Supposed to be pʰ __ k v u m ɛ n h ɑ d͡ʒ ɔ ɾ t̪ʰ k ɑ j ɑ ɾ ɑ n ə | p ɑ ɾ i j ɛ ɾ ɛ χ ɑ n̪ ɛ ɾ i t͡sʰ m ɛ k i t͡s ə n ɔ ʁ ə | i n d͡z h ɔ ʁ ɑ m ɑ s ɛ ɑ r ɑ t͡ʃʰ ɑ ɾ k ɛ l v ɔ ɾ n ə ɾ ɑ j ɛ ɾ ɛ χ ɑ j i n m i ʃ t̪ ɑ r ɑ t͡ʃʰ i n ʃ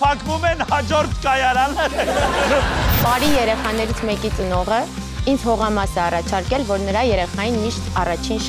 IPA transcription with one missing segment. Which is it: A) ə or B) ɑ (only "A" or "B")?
B